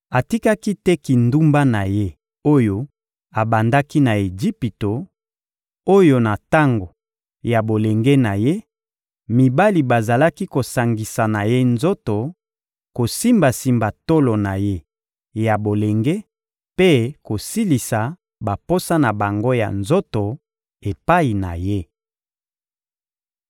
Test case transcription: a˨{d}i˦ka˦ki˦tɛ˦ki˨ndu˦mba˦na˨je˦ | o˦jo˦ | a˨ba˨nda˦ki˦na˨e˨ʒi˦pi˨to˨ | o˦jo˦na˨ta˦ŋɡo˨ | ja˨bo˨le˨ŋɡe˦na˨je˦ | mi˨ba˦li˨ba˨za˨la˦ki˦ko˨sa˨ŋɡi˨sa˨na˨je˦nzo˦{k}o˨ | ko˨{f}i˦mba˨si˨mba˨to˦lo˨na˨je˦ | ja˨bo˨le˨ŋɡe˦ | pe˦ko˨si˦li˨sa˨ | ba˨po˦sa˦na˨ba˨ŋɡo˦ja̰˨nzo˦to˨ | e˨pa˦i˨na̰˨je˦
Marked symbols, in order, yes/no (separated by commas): no, no, no